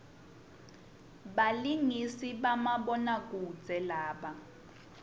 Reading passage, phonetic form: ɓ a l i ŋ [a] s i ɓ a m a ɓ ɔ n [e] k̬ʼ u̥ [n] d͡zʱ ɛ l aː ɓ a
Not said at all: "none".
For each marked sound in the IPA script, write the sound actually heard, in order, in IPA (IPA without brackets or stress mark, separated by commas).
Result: i, a, none